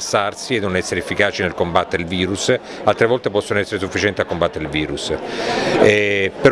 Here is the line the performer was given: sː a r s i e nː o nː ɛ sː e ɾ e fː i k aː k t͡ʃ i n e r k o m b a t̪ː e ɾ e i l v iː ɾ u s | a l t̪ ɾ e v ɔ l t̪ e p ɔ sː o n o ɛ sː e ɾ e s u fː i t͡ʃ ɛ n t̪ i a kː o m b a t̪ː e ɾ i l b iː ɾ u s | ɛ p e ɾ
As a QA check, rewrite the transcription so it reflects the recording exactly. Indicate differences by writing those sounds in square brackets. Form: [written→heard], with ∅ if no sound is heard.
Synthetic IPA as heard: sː a r s i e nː o [nː→n] ɛ sː e ɾ e fː i k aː [k→∅] t͡ʃ i n e [r→l] k o m b a t̪ː e ɾ e i l v iː ɾ u s | a l t̪ ɾ e v ɔ l t̪ e p ɔ sː o n o ɛ sː e ɾ e s u fː i t͡ʃ ɛ n t̪ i a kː o m b a t̪ː e ɾ i l [b→v] iː ɾ u s | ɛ p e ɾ